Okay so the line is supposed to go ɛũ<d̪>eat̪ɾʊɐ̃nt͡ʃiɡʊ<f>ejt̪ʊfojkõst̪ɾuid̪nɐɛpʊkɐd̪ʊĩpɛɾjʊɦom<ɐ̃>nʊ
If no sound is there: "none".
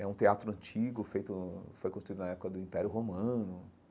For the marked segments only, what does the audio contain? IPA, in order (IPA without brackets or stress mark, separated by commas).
t̪, f, ɐ̃